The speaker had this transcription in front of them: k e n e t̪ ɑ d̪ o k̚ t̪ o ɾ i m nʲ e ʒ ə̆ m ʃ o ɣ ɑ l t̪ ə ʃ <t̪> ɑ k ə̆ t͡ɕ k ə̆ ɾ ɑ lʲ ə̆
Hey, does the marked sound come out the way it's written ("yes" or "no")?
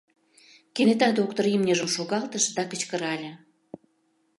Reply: no